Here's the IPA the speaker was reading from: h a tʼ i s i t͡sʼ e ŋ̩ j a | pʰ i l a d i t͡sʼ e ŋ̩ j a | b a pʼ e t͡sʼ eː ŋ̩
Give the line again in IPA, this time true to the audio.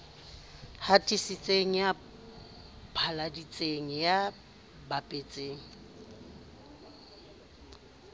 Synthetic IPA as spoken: h a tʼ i s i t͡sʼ e ŋ̩ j a | pʰ a l a d i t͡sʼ e ŋ̩ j a | b a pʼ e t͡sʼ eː ŋ̩